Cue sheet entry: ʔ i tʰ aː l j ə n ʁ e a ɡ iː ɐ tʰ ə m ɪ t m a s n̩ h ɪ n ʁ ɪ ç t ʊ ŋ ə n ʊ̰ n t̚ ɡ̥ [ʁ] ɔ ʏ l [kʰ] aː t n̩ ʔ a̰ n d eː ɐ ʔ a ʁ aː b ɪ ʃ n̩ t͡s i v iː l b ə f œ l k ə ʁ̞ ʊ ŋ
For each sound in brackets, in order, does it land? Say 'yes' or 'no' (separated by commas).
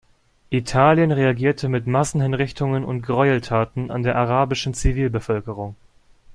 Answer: yes, no